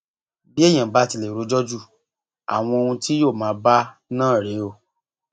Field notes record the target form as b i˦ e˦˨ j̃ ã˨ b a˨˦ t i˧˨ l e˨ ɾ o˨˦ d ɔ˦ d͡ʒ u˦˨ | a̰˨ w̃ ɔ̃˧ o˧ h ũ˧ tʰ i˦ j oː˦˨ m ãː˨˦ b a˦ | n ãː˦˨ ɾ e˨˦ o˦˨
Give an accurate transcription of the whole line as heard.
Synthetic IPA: b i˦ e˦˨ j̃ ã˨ b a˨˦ t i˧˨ l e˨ ɾ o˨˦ d͡ʒ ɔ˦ d͡ʒ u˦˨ | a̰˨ w̃ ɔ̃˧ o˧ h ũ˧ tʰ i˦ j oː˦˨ m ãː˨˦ b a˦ | n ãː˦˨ ɾ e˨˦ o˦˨